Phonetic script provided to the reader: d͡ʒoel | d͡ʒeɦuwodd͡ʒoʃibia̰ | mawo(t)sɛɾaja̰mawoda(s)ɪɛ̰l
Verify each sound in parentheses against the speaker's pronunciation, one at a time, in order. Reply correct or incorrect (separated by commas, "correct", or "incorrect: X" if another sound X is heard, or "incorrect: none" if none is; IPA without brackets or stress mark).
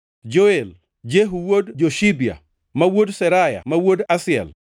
incorrect: d, correct